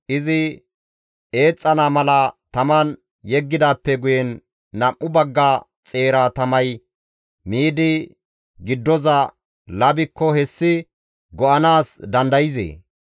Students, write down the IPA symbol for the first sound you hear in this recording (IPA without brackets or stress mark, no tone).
ʔ